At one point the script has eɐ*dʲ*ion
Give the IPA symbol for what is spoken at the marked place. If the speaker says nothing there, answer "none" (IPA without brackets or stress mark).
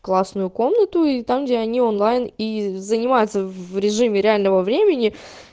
nʲ